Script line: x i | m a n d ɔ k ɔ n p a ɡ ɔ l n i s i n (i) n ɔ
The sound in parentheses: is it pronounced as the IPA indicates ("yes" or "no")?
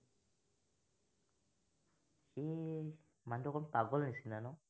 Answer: no